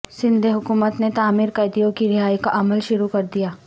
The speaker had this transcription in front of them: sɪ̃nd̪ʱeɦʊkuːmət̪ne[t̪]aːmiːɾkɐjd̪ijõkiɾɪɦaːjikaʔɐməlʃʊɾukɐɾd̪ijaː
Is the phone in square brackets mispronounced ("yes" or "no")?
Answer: no